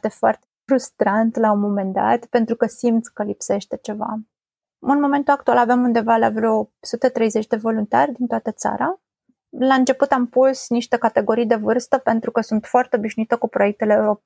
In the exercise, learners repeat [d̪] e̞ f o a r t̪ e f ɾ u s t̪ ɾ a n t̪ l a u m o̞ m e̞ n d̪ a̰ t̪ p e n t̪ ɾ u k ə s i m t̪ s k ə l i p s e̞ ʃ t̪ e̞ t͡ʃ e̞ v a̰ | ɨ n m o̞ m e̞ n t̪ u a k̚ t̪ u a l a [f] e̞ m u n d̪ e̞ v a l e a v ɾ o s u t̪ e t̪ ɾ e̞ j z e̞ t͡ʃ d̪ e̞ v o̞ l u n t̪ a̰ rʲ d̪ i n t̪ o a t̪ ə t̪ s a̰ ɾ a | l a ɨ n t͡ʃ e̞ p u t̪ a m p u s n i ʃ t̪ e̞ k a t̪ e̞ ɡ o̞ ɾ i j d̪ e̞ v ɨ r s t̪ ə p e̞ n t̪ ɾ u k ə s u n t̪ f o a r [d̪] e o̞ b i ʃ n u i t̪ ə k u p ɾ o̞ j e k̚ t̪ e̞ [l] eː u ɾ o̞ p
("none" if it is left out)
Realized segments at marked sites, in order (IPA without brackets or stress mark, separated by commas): t̪, v, t̪, l